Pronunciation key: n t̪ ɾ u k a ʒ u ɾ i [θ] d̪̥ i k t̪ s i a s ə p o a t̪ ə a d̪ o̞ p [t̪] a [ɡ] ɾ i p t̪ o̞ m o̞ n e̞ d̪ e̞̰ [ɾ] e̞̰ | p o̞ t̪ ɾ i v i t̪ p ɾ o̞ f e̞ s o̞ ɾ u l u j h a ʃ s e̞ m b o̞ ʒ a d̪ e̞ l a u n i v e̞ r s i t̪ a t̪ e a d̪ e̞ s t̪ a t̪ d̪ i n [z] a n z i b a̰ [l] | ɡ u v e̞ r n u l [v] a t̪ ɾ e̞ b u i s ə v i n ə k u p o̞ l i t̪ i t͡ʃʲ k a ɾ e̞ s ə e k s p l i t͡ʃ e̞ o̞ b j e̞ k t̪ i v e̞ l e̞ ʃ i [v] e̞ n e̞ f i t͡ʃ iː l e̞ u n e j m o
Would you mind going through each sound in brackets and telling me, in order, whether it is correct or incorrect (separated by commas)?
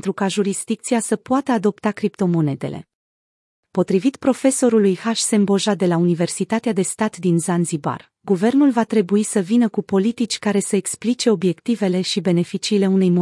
incorrect, correct, incorrect, incorrect, correct, incorrect, correct, incorrect